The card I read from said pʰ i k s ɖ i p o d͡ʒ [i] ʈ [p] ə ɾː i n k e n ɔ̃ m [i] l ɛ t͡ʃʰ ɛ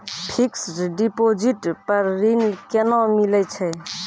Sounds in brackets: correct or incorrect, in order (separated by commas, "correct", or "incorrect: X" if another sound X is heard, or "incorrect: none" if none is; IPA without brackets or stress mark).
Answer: correct, correct, correct